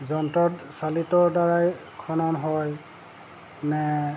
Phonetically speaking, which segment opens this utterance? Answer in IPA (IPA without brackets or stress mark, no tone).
z